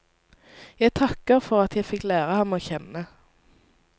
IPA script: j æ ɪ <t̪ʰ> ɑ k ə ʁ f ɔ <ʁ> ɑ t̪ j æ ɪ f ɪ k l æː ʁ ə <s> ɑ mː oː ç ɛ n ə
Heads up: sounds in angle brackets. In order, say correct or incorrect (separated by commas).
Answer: correct, correct, incorrect